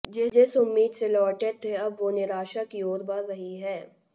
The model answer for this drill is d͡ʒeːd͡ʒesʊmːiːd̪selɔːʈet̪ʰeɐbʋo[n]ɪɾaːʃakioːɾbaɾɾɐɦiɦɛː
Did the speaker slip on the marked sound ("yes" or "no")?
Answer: no